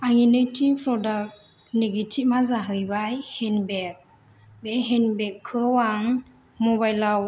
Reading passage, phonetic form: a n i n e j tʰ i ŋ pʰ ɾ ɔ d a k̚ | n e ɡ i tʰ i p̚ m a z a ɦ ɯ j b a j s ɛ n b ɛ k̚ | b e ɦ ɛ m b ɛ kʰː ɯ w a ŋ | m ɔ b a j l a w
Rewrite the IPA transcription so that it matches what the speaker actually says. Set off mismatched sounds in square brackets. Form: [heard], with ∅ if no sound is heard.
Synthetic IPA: a [ŋ] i n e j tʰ i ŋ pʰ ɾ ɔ d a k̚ | n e ɡ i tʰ i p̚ m a z a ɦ ɯ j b a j [h] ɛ n b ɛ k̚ | b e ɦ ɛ [n] b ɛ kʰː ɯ w a ŋ | m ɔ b a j l a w